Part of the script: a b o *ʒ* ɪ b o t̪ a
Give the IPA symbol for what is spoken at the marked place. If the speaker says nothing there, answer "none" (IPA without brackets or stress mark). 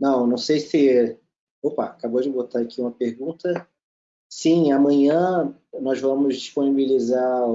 d͡ʒ